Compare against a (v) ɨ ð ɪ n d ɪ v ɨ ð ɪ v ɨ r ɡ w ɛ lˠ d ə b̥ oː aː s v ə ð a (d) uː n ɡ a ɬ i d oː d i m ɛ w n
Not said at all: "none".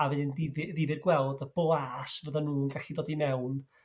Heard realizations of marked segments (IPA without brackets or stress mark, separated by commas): v, n